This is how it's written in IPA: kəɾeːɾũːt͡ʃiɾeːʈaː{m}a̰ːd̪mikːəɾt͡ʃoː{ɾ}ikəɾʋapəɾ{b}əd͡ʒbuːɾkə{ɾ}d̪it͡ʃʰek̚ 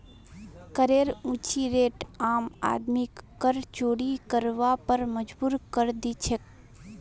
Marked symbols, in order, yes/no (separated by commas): yes, no, no, yes